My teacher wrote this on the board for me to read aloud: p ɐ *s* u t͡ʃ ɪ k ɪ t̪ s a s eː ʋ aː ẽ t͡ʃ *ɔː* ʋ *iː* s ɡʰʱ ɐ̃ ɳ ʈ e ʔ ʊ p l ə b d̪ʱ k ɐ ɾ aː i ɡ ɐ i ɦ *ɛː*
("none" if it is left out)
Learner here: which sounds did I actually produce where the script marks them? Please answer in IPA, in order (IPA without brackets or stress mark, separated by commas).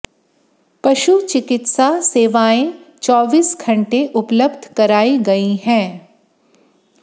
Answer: ʃ, ɔː, iː, ɛ̃ː